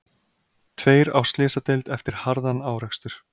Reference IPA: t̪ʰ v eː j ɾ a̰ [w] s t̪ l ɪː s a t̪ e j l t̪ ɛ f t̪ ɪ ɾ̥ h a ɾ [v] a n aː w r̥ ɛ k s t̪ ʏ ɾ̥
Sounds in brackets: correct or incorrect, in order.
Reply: correct, incorrect

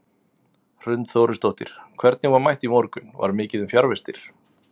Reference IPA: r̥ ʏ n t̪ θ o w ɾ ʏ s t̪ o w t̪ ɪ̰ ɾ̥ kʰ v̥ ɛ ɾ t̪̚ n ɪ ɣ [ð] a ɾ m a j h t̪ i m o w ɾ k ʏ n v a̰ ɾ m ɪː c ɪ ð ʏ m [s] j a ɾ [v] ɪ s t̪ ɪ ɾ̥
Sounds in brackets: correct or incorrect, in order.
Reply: incorrect, incorrect, correct

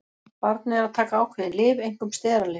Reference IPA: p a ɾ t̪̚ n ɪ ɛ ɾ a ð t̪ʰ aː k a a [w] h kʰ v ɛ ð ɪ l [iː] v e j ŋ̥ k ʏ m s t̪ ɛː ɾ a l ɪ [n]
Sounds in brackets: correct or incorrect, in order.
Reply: correct, incorrect, incorrect

